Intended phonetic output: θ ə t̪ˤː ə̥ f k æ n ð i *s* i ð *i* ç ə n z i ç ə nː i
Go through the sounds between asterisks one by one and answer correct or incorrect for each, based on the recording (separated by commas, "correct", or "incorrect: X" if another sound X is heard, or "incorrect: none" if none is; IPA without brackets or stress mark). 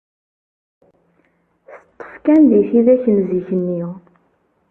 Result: incorrect: θ, incorrect: æ